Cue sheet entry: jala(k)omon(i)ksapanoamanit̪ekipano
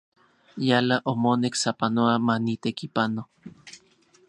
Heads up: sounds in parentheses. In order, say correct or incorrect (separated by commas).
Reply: incorrect, incorrect